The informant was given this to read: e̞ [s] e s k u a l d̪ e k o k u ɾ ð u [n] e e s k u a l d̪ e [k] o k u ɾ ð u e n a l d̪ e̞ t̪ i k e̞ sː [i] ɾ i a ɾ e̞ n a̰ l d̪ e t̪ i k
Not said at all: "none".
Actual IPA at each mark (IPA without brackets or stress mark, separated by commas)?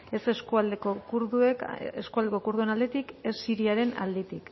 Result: s, none, k, i